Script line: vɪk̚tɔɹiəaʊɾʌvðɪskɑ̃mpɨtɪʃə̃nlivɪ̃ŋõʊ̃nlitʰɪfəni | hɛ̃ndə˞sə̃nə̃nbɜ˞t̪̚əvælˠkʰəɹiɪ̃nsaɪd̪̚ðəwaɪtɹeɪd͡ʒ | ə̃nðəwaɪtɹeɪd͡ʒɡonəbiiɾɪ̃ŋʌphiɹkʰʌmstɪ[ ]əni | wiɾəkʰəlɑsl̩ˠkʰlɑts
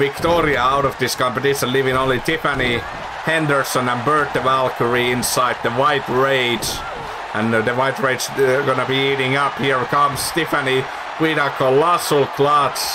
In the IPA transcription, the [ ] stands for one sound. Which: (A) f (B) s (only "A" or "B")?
A